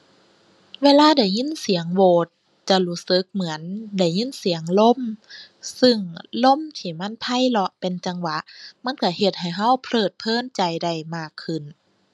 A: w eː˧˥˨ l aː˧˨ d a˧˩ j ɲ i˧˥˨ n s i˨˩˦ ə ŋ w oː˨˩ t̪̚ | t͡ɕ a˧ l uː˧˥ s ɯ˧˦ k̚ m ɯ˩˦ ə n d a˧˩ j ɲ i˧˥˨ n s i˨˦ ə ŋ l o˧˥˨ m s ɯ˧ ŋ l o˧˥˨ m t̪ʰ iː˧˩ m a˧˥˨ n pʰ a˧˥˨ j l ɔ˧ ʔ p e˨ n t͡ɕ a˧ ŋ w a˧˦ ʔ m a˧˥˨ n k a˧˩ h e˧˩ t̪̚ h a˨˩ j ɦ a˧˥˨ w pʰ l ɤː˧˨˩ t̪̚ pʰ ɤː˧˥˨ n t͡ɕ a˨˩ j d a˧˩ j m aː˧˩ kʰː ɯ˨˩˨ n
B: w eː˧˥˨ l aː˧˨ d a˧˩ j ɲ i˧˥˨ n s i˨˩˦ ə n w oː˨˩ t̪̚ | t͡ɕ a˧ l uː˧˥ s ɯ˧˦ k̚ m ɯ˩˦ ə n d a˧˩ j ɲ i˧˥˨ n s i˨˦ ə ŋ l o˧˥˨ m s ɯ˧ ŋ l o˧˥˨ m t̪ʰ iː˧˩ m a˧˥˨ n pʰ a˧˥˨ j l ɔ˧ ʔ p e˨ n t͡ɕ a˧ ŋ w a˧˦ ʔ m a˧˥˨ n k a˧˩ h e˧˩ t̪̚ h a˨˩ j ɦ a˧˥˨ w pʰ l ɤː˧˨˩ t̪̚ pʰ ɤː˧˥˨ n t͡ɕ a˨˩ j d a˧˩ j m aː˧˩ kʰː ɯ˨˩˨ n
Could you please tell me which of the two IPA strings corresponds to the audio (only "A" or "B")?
A